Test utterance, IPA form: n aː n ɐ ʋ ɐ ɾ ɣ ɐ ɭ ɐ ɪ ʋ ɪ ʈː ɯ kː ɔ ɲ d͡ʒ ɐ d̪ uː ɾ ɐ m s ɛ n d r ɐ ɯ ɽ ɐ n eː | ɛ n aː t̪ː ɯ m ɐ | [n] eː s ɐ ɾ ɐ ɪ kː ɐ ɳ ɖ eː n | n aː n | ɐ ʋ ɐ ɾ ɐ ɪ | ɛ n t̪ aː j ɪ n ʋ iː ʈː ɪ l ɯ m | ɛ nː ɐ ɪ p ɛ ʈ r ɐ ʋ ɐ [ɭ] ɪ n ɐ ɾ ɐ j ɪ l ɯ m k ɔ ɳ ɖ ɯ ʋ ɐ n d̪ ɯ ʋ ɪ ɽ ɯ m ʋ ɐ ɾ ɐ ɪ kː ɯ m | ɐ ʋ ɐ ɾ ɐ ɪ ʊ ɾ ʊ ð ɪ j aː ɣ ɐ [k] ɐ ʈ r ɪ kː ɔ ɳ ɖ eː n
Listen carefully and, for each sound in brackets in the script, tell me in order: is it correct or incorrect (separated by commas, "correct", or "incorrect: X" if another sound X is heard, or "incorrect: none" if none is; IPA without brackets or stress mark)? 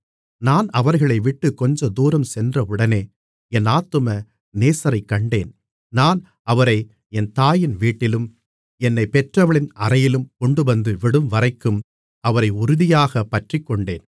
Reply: correct, correct, incorrect: p